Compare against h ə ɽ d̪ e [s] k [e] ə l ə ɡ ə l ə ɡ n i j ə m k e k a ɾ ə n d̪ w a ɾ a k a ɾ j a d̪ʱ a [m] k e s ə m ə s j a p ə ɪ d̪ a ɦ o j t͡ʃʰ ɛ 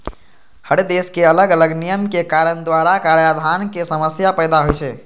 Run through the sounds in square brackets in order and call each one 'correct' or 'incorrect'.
correct, correct, incorrect: n

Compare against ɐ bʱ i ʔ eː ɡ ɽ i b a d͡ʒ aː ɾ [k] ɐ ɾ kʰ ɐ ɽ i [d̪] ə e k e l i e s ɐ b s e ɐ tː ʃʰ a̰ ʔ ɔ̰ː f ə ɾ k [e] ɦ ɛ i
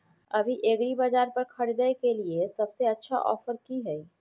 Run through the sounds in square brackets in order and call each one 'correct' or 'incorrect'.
incorrect: p, correct, incorrect: i

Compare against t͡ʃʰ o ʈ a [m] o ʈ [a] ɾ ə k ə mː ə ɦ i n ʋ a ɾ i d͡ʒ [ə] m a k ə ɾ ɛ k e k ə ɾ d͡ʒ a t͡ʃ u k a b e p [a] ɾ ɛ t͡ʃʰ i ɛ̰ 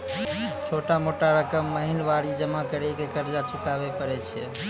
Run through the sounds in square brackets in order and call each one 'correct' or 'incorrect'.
correct, correct, correct, incorrect: ə

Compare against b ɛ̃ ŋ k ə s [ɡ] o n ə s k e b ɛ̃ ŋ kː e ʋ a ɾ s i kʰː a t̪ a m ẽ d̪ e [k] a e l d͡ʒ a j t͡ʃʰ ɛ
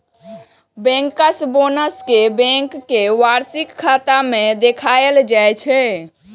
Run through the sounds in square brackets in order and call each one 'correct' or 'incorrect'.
incorrect: b, incorrect: kʰ

